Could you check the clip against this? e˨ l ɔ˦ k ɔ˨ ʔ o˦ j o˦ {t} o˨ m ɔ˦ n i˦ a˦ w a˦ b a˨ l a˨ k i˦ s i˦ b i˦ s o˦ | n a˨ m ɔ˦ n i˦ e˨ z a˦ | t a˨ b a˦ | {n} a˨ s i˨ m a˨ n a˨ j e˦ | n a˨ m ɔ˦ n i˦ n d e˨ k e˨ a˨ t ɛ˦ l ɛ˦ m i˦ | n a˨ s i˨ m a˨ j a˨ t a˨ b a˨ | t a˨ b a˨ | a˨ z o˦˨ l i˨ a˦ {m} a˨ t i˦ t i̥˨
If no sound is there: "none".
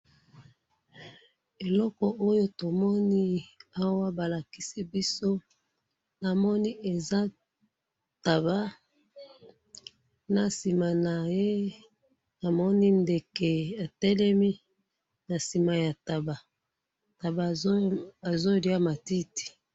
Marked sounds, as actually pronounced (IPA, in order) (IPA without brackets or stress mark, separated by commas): t, n, m